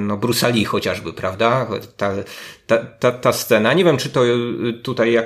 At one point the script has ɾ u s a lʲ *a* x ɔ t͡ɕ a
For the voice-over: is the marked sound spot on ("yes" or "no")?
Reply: no